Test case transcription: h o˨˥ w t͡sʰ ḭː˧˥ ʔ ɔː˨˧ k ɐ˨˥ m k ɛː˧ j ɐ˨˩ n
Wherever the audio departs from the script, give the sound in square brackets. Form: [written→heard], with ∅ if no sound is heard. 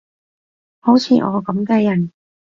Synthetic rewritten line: h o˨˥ w t͡sʰ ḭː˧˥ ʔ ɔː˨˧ k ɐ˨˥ m k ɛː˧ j ɐ˨˩ n